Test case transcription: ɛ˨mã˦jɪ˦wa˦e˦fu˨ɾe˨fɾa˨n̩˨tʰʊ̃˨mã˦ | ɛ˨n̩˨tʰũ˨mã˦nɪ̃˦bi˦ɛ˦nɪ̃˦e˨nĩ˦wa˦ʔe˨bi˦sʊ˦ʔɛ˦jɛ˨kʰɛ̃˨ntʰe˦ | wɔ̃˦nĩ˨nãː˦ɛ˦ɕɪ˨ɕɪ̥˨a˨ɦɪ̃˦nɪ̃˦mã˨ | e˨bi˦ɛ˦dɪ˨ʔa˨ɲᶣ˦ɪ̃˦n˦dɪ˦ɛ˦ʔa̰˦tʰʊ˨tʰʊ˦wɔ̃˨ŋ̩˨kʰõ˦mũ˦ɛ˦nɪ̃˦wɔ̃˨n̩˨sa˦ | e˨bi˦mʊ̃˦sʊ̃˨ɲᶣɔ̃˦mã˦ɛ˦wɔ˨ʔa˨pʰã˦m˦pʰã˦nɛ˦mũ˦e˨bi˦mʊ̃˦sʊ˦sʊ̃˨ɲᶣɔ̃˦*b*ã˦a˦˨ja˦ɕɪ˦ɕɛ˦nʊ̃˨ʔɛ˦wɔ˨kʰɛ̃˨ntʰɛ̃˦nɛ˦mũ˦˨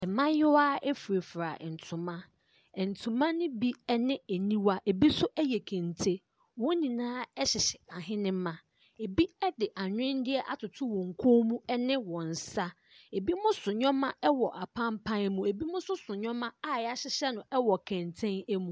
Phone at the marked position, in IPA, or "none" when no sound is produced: m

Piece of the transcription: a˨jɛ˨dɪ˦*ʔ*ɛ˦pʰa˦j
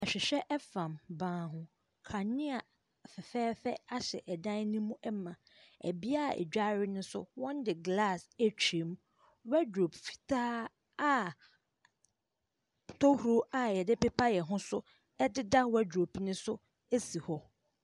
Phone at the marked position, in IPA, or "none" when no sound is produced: p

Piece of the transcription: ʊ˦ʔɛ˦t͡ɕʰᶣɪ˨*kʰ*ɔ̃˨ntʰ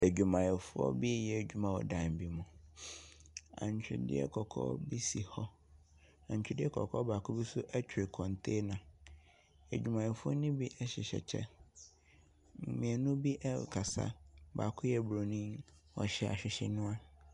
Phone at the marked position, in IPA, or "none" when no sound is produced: kʰ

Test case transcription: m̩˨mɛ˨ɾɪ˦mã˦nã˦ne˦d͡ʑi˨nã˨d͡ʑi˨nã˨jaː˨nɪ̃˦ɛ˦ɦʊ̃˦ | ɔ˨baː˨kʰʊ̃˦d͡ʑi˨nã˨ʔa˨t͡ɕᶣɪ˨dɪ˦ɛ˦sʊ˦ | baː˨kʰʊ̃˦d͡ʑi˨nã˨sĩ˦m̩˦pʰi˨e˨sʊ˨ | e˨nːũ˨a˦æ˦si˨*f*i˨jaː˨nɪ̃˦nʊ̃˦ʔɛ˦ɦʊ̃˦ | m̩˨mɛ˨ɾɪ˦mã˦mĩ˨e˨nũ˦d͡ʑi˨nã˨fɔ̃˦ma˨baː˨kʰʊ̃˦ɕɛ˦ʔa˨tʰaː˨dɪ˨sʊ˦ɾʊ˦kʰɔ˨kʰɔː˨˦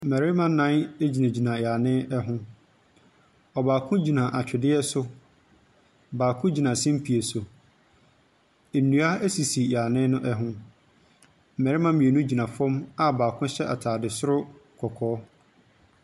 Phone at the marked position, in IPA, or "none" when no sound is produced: s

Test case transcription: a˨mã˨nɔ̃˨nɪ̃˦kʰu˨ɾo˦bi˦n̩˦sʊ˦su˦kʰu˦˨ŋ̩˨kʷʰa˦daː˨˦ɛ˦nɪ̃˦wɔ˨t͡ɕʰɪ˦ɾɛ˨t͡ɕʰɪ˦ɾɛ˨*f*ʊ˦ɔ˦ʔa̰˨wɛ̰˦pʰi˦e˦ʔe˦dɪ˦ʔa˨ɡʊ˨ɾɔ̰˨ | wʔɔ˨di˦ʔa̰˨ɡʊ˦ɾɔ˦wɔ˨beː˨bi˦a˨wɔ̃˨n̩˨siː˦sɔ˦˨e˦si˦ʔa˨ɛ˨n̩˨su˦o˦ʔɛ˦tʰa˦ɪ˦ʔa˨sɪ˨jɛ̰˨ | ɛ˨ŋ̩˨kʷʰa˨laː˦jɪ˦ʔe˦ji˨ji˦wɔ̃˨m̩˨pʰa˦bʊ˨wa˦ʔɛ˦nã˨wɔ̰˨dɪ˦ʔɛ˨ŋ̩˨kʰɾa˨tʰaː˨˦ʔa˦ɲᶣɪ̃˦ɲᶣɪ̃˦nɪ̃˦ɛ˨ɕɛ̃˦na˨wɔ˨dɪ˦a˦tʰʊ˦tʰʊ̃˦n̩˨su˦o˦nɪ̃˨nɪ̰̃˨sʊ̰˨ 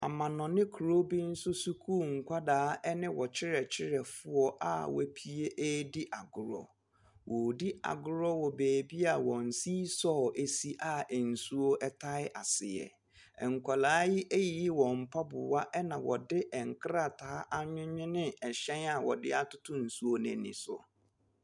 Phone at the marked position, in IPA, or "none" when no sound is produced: f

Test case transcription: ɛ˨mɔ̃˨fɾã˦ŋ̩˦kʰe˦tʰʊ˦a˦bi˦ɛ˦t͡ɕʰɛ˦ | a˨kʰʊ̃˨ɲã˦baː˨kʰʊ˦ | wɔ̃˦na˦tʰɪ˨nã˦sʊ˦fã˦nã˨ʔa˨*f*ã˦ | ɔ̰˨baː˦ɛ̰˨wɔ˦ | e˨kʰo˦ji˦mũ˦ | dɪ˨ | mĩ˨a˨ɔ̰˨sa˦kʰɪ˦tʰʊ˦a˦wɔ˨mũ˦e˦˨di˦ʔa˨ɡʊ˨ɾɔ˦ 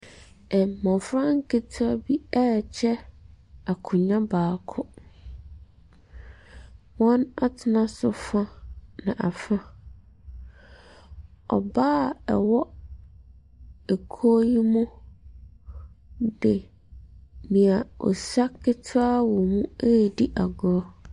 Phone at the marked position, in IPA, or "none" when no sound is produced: f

